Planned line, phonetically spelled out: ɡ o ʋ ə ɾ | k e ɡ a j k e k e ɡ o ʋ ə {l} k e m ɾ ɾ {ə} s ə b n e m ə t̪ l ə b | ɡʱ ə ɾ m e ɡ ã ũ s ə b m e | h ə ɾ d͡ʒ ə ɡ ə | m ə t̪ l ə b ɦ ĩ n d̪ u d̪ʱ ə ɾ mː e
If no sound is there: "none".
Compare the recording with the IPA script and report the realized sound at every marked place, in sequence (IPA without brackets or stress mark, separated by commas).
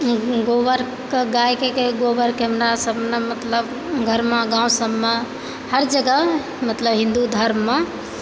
ɾ, a